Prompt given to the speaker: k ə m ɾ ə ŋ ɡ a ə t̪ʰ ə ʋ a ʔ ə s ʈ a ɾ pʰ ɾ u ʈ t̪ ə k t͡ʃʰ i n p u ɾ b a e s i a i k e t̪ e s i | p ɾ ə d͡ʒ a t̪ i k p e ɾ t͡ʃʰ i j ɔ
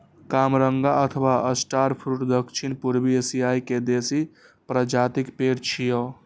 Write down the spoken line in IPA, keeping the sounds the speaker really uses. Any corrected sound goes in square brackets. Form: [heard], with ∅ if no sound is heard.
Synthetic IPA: k [a] m ɾ ə ŋ ɡ a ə t̪ʰ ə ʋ a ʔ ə s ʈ a ɾ pʰ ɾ u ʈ [d̪] ə k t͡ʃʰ i n p u ɾ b [i] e s i a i k e [d̪] e s i | p ɾ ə d͡ʒ a t̪ i k p e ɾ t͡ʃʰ i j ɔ